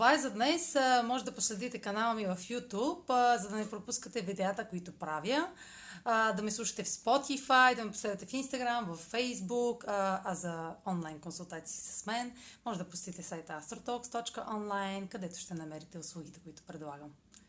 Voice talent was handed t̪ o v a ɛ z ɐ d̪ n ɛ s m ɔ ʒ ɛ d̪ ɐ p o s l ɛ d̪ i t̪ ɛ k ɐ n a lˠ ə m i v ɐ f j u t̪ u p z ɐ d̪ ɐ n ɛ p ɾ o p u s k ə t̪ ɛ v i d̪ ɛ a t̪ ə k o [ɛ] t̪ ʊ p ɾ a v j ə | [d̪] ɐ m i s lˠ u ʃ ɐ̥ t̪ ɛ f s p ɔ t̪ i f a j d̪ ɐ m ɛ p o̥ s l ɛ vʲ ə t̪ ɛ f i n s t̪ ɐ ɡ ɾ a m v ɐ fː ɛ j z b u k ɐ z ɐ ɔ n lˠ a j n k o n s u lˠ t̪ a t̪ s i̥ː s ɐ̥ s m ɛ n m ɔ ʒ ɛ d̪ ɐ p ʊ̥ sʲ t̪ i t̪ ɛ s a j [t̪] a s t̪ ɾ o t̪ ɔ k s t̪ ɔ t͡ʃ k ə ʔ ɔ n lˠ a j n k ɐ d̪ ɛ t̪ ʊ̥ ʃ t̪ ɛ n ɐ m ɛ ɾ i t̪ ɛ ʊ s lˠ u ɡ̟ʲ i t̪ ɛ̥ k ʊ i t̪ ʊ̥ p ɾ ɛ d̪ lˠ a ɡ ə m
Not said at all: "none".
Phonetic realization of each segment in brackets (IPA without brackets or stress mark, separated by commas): i, d̪, t̪